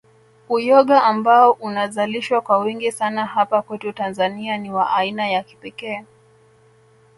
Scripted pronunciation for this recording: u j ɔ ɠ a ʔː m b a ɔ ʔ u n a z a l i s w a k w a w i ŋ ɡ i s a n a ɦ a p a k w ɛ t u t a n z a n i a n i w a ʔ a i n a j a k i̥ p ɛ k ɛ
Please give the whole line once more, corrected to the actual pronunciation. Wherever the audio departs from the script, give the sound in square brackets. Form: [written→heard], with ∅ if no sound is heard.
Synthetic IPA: u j ɔ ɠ a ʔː m b a ɔ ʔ u n a z a l i [s→ʃ] w a k w a w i ŋ ɡ i s a n a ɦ a p a k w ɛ t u t a n z a n i a n i w a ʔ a i n a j a k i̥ p ɛ k [ɛ→ɛː]